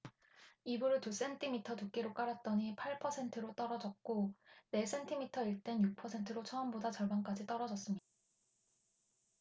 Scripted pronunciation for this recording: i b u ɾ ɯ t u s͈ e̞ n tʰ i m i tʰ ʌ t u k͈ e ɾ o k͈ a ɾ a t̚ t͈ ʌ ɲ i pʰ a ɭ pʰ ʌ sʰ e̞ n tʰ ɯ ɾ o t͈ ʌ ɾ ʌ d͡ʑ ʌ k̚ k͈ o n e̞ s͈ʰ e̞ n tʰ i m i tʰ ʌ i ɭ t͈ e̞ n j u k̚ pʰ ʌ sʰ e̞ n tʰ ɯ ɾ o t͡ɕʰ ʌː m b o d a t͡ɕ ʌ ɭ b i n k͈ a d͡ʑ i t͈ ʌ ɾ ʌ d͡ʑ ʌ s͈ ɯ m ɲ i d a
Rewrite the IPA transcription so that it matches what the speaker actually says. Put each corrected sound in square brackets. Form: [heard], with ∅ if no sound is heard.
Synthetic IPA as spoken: i b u ɾ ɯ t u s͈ e̞ n tʰ i m i tʰ ʌ t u k͈ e ɾ o k͈ a ɾ a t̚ t͈ ʌ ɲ i pʰ a ɭ pʰ ʌ sʰ e̞ n tʰ ɯ ɾ o t͈ ʌ ɾ ʌ d͡ʑ ʌ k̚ k͈ o n e̞ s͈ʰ e̞ n tʰ i m i tʰ ʌ i ɭ t͈ e̞ n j u k̚ pʰ ʌ sʰ e̞ n tʰ ɯ ɾ o t͡ɕʰ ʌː m b o d a t͡ɕ ʌ ɭ b [a] n k͈ a d͡ʑ i t͈ ʌ ɾ ʌ d͡ʑ ʌ s͈ ɯ m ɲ i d a